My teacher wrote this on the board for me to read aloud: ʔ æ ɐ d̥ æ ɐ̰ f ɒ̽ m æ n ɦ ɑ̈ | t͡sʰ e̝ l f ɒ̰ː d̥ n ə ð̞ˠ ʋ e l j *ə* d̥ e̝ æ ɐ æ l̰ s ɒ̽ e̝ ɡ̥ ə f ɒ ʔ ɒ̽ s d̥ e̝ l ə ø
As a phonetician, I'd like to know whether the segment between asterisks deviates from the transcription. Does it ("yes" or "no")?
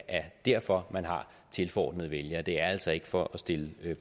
yes